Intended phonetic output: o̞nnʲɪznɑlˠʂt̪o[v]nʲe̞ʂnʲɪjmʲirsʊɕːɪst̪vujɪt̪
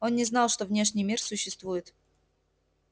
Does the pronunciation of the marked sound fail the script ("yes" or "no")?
no